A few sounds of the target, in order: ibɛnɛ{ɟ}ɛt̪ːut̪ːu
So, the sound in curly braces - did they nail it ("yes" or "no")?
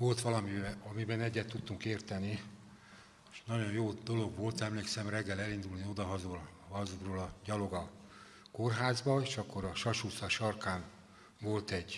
no